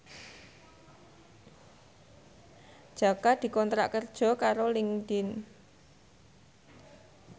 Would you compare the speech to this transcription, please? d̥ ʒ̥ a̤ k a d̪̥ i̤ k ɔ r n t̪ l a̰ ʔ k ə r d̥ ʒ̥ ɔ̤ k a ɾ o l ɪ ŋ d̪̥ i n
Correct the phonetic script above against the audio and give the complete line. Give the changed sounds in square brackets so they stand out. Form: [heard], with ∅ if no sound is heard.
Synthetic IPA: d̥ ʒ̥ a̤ k a d̪̥ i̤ k ɔ [∅] n t̪ [ɾ] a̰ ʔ k ə r d̥ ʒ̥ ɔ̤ k a ɾ o l ɪ ŋ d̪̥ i n